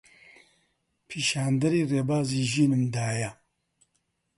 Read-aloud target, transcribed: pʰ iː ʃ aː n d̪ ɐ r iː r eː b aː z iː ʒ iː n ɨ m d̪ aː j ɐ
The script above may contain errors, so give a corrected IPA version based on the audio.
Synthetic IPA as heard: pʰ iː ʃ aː n d̪ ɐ ɾ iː r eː b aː z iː ʒ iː n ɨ m d̪ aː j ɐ

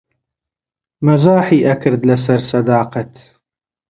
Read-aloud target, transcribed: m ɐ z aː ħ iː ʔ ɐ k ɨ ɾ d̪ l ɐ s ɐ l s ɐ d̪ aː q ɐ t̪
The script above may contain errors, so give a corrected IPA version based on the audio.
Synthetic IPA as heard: m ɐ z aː ħ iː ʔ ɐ k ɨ ɾ d̪ l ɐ s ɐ ɾ s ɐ d̪ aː q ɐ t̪

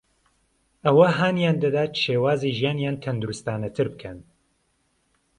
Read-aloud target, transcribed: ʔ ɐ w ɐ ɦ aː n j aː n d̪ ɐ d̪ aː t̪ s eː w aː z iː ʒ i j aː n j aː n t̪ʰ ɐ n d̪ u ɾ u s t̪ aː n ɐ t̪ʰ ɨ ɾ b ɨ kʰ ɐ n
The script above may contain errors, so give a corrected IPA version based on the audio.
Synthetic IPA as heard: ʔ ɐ w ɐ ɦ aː n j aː n d̪ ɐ d̪ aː t̪ ʃ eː w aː z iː ʒ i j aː n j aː n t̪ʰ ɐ n d̪ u ɾ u s t̪ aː n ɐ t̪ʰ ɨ ɾ b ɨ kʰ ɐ n

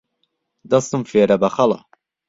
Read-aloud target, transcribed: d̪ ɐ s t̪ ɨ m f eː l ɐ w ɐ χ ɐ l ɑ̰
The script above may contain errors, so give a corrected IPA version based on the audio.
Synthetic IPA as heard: d̪ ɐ s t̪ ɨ m f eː ɾ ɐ b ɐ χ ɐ l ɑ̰

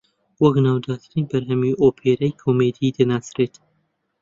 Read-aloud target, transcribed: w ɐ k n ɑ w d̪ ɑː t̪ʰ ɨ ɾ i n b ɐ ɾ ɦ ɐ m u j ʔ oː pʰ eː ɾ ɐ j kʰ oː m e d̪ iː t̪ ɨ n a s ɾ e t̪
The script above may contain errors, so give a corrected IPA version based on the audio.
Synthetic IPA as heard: w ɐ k n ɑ w d̪ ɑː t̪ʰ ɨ ɾ i n b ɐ ɾ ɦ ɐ m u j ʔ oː pʰ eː ɾ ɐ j kʰ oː m e d̪ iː d̪ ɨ n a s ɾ e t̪

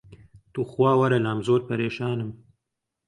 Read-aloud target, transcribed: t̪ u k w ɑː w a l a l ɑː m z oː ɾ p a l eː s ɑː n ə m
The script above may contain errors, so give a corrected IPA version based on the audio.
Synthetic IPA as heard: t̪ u x w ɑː w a ɾ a l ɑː m z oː ɾ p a ɾ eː ʃ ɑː n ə m

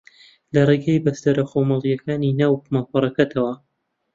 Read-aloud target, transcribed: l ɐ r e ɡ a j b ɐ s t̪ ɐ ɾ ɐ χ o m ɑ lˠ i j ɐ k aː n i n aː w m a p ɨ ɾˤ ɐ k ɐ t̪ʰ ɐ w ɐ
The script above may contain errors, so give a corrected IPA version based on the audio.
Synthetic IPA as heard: l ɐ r e ɡ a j b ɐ s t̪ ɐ ɾ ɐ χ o m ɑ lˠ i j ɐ k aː n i n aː w m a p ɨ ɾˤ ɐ k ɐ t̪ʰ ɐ w ɐ

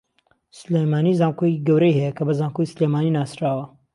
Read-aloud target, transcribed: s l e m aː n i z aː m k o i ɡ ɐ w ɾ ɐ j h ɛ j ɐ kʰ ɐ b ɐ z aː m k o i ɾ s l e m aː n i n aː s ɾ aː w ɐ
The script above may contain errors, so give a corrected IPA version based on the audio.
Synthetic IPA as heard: s l e m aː n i z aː m k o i ɡ ɐ w ɾ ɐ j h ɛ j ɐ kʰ ɐ b ɐ z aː m k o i s l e m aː n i n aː s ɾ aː w ɐ

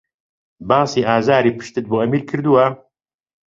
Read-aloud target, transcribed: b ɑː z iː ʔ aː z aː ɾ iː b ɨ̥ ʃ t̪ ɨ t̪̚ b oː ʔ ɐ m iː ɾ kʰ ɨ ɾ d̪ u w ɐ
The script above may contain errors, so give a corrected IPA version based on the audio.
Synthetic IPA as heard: b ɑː s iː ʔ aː z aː ɾ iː p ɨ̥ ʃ t̪ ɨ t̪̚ b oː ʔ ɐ m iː ɾ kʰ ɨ ɾ d̪ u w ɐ

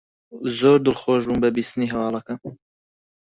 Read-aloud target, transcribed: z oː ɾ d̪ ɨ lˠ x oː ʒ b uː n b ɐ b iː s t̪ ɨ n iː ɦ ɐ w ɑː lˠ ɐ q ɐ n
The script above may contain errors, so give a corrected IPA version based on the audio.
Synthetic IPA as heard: z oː ɾ d̪ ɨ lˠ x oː ʒ b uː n b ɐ b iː s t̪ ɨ n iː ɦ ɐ w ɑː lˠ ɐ k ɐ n

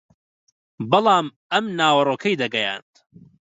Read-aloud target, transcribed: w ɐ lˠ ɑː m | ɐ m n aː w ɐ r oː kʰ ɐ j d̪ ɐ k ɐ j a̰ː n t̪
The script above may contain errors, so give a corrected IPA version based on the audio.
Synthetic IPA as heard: b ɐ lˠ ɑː m | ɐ m n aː w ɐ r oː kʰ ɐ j d̪ ɐ ɡ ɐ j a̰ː n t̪

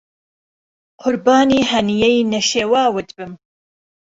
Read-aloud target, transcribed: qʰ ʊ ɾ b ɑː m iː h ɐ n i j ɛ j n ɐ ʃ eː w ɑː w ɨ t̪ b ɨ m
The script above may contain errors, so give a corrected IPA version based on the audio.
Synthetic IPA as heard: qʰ ʊ ɾ b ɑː n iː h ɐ n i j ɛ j n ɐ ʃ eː w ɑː w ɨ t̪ b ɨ m

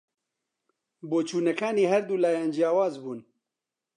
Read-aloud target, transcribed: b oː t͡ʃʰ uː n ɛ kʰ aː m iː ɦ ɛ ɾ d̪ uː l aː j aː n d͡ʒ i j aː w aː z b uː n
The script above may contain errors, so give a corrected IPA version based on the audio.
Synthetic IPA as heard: b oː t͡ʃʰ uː n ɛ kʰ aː n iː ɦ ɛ ɾ d̪ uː l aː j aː n d͡ʒ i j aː w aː z b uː n

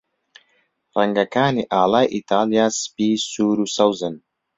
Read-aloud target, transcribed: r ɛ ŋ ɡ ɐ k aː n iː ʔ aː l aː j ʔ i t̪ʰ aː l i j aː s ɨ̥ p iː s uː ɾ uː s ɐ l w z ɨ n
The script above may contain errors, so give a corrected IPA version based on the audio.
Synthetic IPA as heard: r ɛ ŋ ɡ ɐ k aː n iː ʔ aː l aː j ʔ i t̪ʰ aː l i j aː s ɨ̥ p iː s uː ɾ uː s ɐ w z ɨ n

